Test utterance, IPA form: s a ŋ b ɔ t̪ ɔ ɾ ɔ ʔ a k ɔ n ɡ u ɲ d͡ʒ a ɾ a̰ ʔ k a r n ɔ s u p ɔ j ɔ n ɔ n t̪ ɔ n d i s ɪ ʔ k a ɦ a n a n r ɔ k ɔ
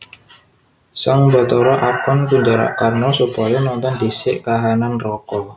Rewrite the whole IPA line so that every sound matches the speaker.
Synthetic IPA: s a ŋ b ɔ t̪ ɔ ɾ ɔ ʔ a p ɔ n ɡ u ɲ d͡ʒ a ɾ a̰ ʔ k a r n ɔ s u p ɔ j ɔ n ɔ n t̪ ɔ n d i s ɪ ʔ k a ɦ a n a n r ɔ k ɔ

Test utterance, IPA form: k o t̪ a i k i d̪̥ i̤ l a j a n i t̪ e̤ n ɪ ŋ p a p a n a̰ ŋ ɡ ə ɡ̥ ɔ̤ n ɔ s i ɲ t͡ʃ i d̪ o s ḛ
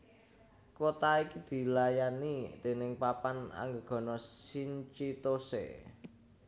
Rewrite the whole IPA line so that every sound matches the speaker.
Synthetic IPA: k o t̪ a i k i d̪̥ i̤ l a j a n i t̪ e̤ n ɪ ŋ p a p a n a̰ ŋ ɡ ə ɡ̥ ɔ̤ n ɔ s i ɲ t͡ʃ i t̪ o s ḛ

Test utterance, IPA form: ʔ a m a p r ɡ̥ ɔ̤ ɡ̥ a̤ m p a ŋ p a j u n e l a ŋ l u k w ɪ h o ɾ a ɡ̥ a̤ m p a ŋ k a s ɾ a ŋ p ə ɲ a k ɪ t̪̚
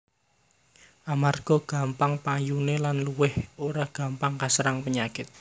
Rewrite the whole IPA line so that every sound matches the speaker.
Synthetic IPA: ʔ a m a r ɡ̥ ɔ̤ ɡ̥ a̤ m p a ŋ p a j u n e l a n l u w ɪ h o ɾ a ɡ̥ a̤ m p a ŋ k a s ɾ a ŋ p ə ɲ a k ɪ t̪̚

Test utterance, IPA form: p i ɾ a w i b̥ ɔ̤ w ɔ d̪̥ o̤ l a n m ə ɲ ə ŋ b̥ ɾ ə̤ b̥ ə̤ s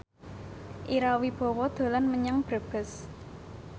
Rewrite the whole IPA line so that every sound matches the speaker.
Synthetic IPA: ʔ i ɾ a w i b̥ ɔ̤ w ɔ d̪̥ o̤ l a n m ə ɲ a ŋ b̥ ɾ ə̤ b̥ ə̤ s

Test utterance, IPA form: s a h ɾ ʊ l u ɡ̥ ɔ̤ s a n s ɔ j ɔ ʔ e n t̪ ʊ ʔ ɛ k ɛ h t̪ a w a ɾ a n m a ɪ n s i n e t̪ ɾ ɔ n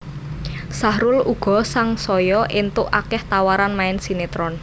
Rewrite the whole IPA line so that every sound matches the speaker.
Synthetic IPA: s a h ɾ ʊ l u ɡ̥ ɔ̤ s a ŋ s ɔ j ɔ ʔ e n t̪ ʊ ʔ a k ɛ h t̪ a w a ɾ a n m a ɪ n s i n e t̪ ɾ ɔ n

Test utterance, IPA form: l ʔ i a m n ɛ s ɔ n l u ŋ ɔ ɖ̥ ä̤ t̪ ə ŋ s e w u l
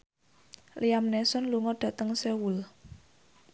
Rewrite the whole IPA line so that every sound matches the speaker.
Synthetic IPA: l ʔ i a m n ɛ s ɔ n l u ŋ ɔ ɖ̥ ä̤ t̪ ə ŋ s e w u l

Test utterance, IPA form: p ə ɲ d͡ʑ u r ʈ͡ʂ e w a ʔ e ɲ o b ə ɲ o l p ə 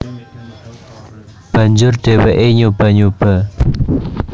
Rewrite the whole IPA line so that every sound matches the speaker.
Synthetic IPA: p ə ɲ d͡ʑ o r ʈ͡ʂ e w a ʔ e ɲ o p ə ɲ o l p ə

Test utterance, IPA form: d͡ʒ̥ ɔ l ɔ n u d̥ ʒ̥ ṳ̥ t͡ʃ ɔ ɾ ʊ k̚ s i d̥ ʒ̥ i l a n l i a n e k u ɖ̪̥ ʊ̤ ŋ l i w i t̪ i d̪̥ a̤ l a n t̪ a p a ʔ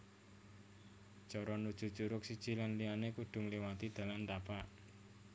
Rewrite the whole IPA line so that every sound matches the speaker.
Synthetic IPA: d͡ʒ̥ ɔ ɾ ɔ n u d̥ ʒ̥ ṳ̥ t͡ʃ u ɾ ʊ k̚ s i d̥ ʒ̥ i l a n l i a n e k u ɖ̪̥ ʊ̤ ŋ l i w a t̪ i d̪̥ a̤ l a n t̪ a p a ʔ

